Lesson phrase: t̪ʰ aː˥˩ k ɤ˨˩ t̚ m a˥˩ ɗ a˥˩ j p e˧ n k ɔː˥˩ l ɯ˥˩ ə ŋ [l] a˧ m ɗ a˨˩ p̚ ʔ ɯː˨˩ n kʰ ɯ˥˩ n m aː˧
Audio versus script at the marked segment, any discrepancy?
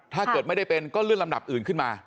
no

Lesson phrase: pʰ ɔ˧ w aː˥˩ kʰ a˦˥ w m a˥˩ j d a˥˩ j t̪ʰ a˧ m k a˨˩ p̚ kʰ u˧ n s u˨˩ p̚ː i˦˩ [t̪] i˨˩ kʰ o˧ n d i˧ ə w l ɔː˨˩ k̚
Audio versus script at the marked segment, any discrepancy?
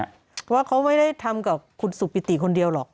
no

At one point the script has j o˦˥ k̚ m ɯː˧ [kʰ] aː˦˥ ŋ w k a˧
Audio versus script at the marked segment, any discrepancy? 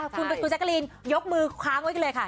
no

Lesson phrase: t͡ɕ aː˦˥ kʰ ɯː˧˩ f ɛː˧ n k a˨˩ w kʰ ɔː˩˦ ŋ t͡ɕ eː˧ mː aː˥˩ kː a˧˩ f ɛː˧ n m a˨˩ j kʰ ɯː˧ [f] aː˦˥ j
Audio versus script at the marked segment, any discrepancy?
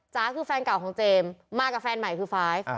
no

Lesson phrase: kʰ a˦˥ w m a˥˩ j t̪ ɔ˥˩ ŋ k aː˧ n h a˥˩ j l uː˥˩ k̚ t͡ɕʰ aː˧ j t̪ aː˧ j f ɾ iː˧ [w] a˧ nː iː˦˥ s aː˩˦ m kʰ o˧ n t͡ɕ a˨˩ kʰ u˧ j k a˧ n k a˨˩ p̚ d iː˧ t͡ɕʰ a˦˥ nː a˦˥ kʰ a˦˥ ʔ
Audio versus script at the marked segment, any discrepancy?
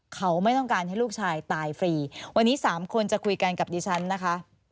no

